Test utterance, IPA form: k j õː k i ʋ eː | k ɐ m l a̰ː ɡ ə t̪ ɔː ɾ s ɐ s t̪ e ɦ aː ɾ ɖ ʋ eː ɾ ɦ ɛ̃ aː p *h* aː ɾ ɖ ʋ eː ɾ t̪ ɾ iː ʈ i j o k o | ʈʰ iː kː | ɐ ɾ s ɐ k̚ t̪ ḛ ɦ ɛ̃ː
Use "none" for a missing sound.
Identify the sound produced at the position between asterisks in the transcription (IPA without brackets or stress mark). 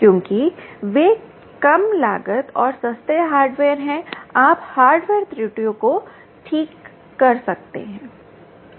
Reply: h